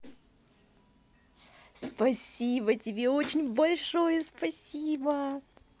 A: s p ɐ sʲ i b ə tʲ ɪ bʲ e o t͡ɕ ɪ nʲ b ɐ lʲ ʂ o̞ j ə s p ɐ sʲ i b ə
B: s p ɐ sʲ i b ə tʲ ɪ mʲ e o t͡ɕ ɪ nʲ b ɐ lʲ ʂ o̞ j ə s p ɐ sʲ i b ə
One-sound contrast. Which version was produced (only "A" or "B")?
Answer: A